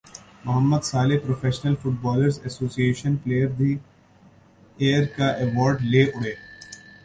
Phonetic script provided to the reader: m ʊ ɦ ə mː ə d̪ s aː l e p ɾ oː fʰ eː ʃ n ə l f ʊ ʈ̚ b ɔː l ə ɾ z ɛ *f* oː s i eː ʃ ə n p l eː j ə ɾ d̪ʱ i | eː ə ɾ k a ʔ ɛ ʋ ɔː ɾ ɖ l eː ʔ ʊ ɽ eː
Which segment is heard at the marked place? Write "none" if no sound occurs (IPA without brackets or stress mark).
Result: s